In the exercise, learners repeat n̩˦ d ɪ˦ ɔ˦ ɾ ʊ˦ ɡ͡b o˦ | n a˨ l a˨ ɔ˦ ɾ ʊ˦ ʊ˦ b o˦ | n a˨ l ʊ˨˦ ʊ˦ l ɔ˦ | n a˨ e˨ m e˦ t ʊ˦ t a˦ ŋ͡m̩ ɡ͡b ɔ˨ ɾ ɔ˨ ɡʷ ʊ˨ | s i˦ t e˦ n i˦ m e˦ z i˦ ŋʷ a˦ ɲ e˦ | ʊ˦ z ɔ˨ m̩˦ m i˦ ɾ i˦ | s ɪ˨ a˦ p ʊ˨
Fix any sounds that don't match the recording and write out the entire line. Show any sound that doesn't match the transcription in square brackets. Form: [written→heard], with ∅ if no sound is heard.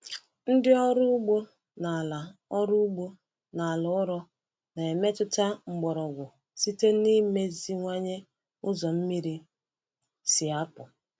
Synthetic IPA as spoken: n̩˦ d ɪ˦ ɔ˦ ɾ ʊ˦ ɡ͡b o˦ | n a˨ l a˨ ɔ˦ ɾ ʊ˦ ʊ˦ [b→ɡ͡b] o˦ | n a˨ l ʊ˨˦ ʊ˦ [l→ɾ] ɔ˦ | n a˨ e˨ m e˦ t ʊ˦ t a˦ ŋ͡m̩ ɡ͡b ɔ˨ ɾ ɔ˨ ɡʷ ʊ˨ | s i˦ t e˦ n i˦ m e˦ z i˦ ŋʷ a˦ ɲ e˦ | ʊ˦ z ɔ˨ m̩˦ m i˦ ɾ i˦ | s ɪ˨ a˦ p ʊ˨

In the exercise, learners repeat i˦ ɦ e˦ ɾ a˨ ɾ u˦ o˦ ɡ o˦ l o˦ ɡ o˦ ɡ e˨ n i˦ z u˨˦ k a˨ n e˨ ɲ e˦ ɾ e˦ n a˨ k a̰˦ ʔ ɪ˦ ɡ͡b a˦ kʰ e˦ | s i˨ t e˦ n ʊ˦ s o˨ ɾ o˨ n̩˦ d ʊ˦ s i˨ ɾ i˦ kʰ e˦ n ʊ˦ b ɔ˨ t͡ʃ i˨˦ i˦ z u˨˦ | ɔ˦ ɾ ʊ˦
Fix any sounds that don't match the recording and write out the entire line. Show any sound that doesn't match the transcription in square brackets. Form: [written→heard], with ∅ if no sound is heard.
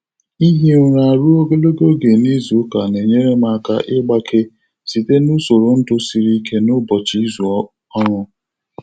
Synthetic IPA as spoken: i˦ ɦ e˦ ɾ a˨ ɾ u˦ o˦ ɡ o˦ l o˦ ɡ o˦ ɡ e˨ n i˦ z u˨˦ k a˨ n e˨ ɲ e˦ ɾ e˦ [n→m] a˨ k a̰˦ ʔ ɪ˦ ɡ͡b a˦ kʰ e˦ | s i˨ t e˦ n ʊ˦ s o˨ ɾ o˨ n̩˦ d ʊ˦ s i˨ ɾ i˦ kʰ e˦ n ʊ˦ b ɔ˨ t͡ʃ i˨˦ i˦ z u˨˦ | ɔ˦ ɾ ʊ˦

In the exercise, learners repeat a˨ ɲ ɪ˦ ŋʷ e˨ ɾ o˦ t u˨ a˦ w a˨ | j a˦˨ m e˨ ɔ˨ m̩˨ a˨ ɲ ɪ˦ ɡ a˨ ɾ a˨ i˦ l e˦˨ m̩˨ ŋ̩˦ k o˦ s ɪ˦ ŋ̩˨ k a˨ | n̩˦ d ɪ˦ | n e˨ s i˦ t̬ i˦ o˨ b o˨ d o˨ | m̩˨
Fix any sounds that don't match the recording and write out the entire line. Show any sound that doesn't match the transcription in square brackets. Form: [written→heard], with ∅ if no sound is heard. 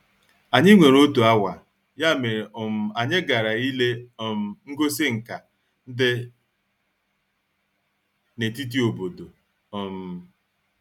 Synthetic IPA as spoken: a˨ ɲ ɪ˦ ŋʷ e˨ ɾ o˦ t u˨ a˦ w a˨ | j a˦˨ m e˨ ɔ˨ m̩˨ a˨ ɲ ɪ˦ ɡ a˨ ɾ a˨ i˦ l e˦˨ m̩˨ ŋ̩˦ [k→ɡ] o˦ s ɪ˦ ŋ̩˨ k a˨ | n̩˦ d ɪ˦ | n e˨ [s→t] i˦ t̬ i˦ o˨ b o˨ d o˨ | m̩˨

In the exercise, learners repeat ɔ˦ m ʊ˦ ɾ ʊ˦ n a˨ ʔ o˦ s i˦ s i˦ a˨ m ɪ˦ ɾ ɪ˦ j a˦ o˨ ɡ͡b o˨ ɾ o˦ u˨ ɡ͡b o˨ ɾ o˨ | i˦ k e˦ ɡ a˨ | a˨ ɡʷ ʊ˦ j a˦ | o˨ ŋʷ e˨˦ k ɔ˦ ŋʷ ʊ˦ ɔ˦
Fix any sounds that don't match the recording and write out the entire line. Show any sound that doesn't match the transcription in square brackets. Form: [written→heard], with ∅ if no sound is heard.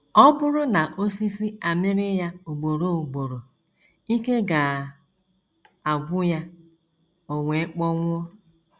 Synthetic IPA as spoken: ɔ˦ [m→b] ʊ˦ ɾ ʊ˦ n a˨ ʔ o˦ s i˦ s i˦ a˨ m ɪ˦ ɾ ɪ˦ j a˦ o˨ ɡ͡b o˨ ɾ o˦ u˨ ɡ͡b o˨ ɾ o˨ | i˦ k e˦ ɡ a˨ | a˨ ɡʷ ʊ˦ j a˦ | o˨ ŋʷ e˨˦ [k→k͡p] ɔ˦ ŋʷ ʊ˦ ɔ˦

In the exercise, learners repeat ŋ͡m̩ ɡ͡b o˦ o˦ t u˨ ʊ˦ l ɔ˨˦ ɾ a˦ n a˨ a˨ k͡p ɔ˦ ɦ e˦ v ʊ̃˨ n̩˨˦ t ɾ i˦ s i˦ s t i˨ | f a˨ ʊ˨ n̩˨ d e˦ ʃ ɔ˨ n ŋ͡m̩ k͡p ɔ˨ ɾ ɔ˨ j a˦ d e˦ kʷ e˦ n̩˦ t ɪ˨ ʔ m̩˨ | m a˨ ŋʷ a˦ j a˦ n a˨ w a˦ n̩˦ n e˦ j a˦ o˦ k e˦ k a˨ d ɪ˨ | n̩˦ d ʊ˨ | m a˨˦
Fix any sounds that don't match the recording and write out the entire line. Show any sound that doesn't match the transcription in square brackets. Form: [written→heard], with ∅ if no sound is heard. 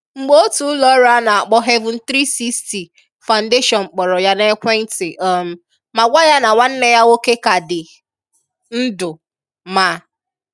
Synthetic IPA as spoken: ŋ͡m̩ ɡ͡b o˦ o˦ t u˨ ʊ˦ l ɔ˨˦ ɾ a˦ n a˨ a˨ k͡p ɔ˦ ɦ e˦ v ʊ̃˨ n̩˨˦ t ɾ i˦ s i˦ s t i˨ | f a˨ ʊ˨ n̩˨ d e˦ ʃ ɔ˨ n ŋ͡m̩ k͡p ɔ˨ ɾ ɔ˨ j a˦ [d→n] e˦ kʷ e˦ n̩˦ t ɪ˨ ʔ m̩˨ | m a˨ [ŋʷ→ɡʷ] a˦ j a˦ n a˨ w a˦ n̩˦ n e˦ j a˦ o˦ k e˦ k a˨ d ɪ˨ | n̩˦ d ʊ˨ | m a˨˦

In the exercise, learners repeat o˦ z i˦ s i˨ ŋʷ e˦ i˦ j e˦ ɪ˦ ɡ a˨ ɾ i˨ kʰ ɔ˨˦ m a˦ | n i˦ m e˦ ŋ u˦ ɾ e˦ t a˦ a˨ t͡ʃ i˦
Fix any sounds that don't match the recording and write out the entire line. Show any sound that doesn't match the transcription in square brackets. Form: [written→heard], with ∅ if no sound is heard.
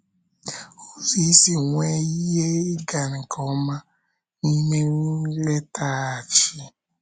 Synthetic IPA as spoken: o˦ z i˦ s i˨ ŋʷ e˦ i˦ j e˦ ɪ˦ ɡ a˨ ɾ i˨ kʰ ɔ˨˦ m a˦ | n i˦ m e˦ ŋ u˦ [ɾ→l] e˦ t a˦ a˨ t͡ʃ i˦

